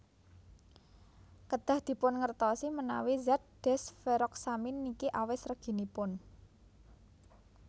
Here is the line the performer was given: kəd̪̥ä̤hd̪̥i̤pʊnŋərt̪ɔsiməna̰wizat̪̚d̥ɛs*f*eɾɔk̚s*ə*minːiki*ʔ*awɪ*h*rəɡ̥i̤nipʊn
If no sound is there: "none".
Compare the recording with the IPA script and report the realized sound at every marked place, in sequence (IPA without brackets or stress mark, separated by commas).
f, a, ʔ, s